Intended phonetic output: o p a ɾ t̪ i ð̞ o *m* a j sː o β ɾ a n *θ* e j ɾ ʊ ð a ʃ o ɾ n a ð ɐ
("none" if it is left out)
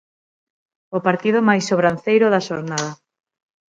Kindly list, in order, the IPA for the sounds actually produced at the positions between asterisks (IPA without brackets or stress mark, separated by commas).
m, θ